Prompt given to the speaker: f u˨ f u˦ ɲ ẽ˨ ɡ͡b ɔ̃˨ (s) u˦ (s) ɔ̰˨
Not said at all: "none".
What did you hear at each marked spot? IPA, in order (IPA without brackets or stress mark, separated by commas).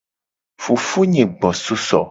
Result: s, s